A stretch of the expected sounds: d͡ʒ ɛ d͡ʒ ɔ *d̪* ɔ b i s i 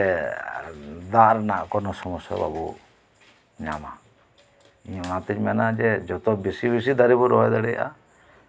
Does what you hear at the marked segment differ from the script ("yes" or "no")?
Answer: yes